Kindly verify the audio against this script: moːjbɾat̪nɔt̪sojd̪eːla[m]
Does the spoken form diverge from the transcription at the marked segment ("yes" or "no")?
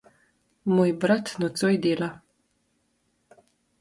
yes